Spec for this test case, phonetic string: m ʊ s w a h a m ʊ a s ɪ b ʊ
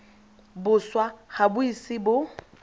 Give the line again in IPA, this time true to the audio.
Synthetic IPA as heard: b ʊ s w a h a b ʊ i s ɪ b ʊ